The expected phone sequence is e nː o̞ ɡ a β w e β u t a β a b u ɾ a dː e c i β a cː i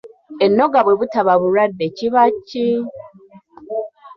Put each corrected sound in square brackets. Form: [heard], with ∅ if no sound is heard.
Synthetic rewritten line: e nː o̞ ɡ a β w e β u t a β a [β] u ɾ a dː e c i β a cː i